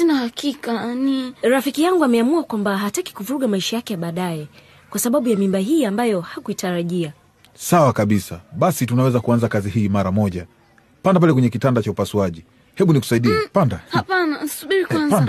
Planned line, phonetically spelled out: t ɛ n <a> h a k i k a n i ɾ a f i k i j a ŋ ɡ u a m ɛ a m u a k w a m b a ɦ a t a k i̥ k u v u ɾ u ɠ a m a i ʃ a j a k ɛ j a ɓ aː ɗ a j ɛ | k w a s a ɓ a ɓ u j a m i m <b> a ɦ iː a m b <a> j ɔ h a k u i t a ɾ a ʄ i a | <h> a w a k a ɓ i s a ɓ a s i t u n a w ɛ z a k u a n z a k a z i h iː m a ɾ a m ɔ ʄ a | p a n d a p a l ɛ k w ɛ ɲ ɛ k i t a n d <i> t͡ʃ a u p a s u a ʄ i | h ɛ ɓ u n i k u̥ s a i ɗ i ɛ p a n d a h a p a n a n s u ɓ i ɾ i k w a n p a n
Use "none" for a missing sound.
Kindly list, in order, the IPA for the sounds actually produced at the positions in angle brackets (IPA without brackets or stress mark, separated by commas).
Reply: a, b, a, s, a